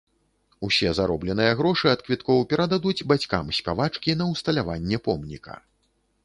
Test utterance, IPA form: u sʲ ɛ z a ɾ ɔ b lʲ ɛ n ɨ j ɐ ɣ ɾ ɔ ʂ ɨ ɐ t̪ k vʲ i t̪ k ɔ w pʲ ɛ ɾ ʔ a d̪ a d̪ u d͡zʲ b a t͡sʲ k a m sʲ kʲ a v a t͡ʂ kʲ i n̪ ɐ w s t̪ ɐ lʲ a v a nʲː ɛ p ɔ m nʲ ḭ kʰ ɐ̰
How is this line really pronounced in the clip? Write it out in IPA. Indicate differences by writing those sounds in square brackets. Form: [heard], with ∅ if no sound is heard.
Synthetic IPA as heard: u sʲ ɛ z a ɾ ɔ b lʲ ɛ n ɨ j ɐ ɣ ɾ ɔ ʂ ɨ ɐ t̪ k vʲ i t̪ k ɔ w pʲ ɛ ɾ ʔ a d̪ a d̪ u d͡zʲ b a t͡sʲ k a m sʲ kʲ a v a t͡ʂ kʲ i n̪ ɐ w s t̪ ɐ lʲ a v a nʲː ɛ p ɔ m nʲ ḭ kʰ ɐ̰